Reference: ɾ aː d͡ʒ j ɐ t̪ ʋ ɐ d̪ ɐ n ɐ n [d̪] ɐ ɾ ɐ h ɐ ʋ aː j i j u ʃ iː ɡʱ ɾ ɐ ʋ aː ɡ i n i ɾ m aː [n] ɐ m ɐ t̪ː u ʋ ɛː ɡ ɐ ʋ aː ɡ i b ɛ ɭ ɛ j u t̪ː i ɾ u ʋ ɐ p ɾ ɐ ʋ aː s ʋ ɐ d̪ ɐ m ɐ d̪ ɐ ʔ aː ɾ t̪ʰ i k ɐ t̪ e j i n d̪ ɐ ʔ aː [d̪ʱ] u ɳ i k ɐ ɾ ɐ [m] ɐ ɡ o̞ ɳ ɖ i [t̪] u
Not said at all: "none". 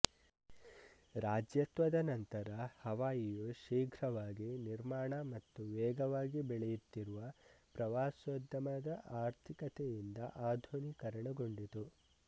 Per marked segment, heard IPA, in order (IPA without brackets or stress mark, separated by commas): t̪, ɳ, d̪ʱ, ɳ, t̪